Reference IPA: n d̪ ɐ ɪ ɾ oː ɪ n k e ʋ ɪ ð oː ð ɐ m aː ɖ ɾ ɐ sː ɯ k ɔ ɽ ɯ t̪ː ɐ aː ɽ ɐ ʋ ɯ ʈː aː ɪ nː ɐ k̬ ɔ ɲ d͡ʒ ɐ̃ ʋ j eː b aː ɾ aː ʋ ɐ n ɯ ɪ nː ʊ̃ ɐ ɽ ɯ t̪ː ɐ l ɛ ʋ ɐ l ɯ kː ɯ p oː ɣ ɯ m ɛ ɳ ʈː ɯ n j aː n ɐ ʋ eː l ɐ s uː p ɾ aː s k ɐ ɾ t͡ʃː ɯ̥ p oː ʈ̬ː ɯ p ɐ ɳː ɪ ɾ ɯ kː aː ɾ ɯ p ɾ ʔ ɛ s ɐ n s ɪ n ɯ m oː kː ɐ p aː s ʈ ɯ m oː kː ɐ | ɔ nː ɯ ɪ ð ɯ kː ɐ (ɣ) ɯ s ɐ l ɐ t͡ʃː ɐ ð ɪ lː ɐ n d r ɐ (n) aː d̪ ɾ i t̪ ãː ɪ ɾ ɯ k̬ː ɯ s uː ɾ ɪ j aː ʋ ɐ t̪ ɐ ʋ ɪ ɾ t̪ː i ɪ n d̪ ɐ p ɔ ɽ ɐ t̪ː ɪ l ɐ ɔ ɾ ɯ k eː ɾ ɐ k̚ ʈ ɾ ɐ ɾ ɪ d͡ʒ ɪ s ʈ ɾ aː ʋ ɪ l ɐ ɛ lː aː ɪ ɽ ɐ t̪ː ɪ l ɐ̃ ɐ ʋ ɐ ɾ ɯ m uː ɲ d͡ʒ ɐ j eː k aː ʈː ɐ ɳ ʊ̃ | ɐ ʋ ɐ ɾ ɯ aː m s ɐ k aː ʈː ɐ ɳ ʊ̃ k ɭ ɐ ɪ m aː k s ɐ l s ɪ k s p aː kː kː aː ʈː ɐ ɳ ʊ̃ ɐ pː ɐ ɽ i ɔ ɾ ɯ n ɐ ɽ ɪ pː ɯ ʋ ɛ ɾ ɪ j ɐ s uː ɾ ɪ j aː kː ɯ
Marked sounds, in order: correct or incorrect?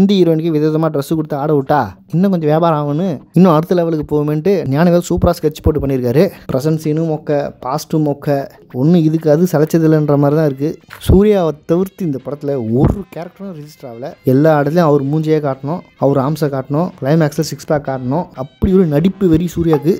incorrect: ð, incorrect: m

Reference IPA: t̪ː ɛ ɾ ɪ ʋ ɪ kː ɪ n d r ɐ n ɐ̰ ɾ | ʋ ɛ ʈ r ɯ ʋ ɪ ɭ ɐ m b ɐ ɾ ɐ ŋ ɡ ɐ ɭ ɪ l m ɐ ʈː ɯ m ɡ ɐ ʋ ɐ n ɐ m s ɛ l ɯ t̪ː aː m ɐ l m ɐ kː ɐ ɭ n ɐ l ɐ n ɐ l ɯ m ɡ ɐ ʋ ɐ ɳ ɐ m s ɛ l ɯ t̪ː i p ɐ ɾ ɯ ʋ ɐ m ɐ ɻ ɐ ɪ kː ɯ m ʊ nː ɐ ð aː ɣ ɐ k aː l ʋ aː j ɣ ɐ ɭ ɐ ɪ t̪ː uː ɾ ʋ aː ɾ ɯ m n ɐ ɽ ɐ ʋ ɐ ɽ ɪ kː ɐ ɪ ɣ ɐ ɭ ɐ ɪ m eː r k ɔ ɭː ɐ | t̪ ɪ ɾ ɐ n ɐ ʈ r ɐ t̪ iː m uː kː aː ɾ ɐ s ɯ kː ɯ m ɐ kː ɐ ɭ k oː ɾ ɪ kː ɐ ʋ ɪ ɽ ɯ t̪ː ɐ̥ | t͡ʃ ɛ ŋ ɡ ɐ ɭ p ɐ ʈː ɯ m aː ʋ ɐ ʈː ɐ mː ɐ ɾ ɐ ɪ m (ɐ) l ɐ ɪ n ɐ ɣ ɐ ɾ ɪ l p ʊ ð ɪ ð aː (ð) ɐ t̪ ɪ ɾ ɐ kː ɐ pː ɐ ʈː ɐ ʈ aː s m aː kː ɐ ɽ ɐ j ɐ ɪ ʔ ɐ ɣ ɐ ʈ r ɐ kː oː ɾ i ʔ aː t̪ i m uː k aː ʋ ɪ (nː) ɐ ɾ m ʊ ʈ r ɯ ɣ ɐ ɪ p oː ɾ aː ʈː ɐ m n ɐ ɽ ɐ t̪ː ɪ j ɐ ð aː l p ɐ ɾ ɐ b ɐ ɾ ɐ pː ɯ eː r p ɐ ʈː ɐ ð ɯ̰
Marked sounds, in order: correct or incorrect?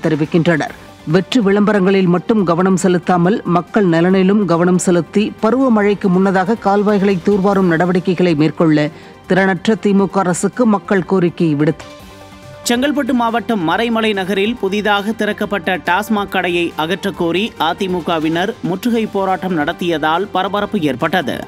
correct, incorrect: ɣ, incorrect: n

